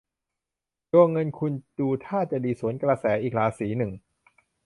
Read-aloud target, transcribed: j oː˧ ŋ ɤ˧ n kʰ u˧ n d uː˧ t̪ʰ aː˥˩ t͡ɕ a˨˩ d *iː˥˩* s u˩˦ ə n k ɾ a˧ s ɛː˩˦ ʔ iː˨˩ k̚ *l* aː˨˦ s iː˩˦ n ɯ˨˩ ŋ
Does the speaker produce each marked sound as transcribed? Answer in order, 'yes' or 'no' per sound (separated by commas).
no, yes